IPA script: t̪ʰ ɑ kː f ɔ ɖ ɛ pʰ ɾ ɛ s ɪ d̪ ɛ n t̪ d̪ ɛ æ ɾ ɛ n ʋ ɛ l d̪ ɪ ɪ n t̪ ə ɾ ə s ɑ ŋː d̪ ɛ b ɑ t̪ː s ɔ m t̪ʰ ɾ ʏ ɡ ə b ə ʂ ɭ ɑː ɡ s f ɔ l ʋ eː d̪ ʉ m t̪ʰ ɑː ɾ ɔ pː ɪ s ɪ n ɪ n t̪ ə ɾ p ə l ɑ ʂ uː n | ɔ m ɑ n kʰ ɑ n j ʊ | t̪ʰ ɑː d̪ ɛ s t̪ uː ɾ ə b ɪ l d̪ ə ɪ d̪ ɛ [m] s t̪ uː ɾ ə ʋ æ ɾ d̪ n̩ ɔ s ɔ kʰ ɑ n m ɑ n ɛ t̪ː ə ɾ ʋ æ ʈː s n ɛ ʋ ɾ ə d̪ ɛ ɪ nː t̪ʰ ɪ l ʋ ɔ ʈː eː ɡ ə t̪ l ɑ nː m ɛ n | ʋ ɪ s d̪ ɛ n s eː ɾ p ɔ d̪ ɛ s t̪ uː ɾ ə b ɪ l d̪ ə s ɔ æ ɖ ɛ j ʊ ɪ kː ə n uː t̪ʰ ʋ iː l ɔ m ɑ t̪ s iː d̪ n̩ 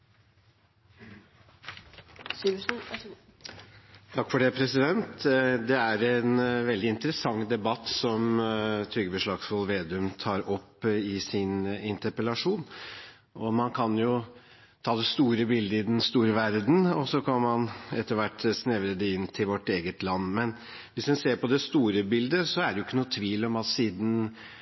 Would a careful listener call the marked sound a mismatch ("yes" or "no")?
yes